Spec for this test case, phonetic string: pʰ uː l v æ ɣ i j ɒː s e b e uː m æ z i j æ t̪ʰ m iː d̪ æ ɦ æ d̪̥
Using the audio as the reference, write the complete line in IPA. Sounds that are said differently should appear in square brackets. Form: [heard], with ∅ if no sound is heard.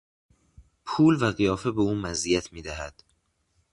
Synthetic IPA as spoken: pʰ uː l v æ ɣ i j ɒː [f] e b e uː m æ z i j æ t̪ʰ m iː d̪ æ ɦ æ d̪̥

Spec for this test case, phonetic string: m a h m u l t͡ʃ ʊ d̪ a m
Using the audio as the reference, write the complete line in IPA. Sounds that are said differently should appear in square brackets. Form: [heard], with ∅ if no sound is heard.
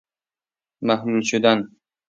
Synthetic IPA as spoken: m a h m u l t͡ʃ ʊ d̪ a [n]

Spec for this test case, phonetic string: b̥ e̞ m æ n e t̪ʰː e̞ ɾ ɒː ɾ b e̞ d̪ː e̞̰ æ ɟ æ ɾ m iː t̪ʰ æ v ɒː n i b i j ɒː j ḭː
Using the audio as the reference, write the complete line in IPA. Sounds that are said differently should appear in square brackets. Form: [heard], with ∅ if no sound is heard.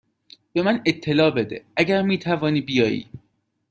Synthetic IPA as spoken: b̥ e̞ m æ n e t̪ʰː e̞ [l] ɒː [∅] b e̞ [d̪] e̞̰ æ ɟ æ ɾ m iː t̪ʰ æ v ɒː n [iː] b i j ɒː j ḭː

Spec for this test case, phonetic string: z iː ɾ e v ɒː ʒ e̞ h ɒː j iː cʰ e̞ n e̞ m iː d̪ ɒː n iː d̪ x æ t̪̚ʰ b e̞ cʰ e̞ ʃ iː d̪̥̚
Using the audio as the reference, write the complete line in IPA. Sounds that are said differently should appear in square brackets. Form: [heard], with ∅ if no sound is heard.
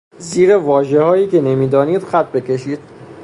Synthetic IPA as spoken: z iː ɾ e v ɒː ʒ e̞ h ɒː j iː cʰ e̞ n e̞ m iː d̪ ɒː n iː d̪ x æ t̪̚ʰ b e̞ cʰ e̞ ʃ iː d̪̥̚

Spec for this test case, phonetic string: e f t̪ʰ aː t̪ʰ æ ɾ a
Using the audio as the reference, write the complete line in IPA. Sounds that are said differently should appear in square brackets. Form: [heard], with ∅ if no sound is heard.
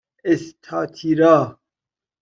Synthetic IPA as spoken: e [s] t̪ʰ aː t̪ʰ [i] ɾ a

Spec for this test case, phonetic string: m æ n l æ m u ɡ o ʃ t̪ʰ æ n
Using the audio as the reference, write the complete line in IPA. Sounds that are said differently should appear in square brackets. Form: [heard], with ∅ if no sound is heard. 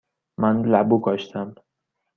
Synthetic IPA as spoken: m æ n l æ [b] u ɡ [ɒ] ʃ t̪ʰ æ [m]

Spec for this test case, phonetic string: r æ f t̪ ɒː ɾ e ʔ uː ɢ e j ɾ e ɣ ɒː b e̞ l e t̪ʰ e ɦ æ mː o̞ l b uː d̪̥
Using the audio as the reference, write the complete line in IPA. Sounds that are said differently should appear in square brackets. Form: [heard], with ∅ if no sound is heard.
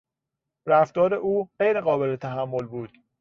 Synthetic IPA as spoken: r æ f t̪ ɒː ɾ e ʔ uː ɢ e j ɾ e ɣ ɒː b e̞ l e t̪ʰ [æ] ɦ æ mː o̞ l b uː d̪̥

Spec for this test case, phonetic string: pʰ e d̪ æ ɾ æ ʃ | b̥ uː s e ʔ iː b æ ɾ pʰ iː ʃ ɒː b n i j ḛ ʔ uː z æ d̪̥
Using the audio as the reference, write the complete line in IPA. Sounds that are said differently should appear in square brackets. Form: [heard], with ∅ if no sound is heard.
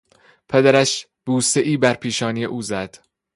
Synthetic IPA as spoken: pʰ e d̪ æ ɾ æ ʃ | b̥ uː s e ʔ iː b æ ɾ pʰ iː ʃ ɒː [∅] n i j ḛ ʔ uː z æ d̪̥

